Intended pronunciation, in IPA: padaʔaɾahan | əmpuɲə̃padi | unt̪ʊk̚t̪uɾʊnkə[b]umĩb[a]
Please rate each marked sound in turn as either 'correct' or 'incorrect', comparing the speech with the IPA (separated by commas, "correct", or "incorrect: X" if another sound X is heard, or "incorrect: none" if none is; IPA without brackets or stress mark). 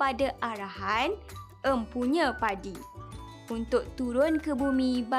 correct, correct